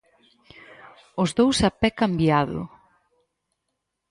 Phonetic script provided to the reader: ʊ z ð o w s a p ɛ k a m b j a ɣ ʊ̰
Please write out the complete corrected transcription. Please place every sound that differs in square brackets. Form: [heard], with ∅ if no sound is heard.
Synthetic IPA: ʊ z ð o w s a p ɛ k a m b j a [ð] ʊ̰